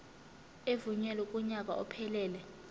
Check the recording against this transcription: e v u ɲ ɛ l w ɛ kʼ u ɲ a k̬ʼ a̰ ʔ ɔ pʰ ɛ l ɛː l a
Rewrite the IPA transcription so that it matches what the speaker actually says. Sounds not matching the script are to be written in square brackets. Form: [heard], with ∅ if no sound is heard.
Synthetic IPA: e v u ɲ ɛ l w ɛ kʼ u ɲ a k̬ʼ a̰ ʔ ɔ pʰ ɛ l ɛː l [ɛ]